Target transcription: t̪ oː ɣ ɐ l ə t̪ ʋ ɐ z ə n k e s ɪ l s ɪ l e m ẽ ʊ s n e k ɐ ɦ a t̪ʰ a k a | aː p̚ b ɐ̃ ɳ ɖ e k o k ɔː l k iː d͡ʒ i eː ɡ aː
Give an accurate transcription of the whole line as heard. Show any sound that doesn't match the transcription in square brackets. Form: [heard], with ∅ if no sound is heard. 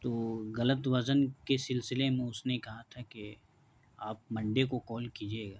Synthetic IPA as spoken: t̪ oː ɣ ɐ l ə t̪ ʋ ɐ z ə n k e s ɪ l s ɪ l e m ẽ ʊ s n e k ɐ ɦ a t̪ʰ a k [e] | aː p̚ [m] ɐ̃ ɳ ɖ e k o k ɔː l k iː d͡ʒ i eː ɡ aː